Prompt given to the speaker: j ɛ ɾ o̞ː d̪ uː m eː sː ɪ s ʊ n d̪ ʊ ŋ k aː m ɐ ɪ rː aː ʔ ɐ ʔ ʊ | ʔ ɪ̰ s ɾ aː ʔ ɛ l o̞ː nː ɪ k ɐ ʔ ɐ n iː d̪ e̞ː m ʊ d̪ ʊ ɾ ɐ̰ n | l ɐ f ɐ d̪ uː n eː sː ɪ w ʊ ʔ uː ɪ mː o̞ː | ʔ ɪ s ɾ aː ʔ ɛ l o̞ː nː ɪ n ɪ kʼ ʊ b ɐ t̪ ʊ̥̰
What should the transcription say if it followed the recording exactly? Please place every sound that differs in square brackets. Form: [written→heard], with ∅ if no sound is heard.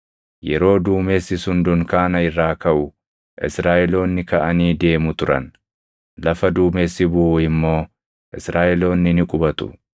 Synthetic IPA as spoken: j ɛ ɾ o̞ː d̪ uː m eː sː ɪ s ʊ n d̪ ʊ ŋ k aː [m→n] ɐ ɪ rː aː [ʔ→k] ɐ ʔ ʊ | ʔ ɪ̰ s ɾ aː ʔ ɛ l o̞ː nː ɪ k ɐ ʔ ɐ n iː d̪ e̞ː m ʊ [d̪→t̪] ʊ ɾ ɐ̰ n | l ɐ f ɐ d̪ uː [n→m] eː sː ɪ [w→b] ʊ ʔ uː ɪ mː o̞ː | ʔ ɪ s ɾ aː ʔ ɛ l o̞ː nː ɪ n ɪ kʼ ʊ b ɐ t̪ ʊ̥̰